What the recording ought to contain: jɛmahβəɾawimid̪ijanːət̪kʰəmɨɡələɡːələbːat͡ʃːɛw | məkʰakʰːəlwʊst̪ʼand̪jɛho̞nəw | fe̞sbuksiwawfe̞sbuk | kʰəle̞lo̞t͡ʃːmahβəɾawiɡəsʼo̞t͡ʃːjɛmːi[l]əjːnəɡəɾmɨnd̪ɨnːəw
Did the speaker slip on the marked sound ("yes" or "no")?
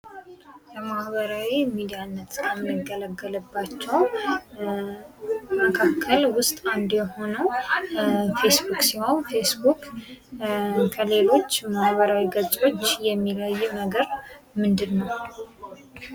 no